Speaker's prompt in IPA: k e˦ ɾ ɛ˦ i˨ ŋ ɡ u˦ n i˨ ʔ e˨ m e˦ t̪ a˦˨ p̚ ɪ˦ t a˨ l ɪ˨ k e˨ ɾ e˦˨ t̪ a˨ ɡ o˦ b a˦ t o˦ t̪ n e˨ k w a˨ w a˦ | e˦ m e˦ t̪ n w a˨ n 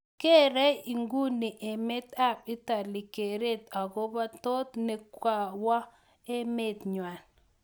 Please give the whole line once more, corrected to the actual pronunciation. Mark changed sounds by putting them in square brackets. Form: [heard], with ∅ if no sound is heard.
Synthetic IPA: k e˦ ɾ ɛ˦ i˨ ŋ ɡ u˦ n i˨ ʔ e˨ m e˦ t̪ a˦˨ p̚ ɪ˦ t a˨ l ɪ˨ k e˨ ɾ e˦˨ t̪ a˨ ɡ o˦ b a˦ t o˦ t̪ n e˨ k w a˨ w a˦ | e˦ m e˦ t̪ [ɲ] w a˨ n